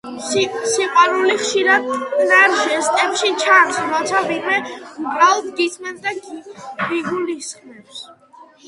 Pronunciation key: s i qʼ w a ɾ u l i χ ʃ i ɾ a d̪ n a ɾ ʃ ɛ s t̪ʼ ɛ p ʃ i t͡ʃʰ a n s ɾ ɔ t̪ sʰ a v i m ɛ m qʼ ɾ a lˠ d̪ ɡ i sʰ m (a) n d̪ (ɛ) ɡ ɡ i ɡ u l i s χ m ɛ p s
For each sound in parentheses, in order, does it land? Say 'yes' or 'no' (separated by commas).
no, no